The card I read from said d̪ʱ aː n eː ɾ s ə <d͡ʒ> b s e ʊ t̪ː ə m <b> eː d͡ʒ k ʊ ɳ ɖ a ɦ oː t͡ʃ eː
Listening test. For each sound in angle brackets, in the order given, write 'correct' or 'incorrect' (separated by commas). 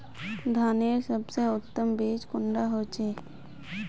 incorrect, correct